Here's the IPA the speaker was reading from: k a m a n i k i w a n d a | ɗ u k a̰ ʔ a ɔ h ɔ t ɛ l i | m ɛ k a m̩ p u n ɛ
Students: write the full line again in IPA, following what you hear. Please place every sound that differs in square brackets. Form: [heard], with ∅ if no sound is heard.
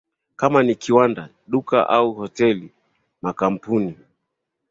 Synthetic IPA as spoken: k a m a n i k i w a n d a | ɗ u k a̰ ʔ a [u] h ɔ t ɛ l i | m [a] k a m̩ p u n [i]